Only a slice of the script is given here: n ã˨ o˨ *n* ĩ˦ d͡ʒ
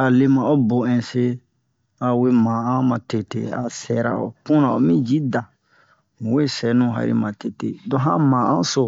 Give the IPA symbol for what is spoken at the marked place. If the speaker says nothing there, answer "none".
m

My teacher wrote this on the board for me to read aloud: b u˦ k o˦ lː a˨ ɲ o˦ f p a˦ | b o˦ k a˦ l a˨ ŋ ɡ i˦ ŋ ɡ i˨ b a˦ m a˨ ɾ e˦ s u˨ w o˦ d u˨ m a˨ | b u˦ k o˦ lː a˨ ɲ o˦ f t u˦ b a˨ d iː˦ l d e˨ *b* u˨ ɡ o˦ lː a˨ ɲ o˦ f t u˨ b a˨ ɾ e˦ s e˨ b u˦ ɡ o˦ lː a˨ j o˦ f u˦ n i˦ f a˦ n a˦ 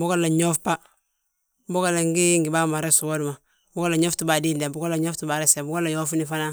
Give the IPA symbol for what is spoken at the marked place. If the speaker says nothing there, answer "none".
b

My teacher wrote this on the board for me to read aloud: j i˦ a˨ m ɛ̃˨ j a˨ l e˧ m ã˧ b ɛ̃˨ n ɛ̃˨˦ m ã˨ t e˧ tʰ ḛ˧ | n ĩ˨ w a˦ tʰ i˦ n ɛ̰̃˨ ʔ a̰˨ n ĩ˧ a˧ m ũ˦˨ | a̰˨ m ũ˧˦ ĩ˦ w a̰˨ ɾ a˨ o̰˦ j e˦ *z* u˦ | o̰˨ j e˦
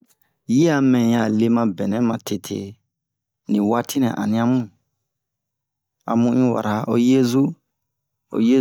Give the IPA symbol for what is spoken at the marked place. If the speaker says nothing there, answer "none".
z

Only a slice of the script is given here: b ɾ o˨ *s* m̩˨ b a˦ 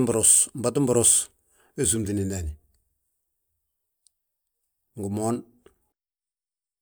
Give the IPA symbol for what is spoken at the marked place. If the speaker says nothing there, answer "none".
s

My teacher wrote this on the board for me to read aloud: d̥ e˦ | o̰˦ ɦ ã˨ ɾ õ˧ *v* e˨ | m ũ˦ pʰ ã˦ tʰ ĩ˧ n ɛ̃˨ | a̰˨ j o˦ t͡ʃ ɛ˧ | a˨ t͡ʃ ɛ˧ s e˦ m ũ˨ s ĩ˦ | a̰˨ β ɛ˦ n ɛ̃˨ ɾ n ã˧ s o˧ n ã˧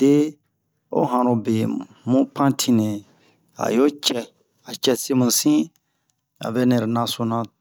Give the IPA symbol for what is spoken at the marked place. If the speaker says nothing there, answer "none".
b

